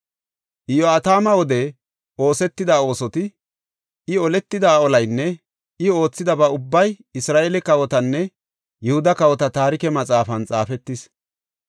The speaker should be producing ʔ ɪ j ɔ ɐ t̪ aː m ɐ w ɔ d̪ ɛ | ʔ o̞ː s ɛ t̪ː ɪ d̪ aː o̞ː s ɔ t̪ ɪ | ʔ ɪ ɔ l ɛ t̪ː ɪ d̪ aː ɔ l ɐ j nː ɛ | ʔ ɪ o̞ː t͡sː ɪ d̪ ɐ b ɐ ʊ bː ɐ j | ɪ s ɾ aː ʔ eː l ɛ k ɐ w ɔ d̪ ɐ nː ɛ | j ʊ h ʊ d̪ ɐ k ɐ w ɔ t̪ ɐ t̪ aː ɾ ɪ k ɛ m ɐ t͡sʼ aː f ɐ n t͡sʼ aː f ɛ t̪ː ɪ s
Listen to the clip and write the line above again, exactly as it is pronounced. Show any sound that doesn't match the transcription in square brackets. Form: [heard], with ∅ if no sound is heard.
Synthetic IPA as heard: ʔ ɪ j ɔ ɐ t̪ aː m ɐ w ɔ d̪ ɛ | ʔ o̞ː s ɛ t̪ː ɪ d̪ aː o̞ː s ɔ t̪ ɪ | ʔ ɪ ɔ l ɛ t̪ː ɪ d̪ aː ɔ l ɐ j nː ɛ | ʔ ɪ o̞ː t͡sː ɪ d̪ ɐ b ɐ ʊ bː ɐ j | ɪ s ɾ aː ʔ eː l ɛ k ɐ w ɔ [t̪] ɐ nː ɛ | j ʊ h ʊ d̪ ɐ k ɐ w ɔ t̪ ɐ t̪ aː ɾ ɪ k ɛ m ɐ t͡sʼ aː f ɐ n t͡sʼ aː f ɛ t̪ː ɪ s